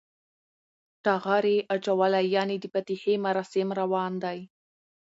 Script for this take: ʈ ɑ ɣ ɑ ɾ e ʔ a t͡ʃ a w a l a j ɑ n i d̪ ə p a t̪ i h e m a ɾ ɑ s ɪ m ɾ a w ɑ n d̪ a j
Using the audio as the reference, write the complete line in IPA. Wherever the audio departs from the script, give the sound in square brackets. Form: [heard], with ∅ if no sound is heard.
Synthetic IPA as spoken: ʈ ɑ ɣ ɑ ɾ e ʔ a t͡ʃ a w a l a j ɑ n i d̪ ə p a t̪ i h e m a ɾ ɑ s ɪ m ɾ a w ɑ n d̪ a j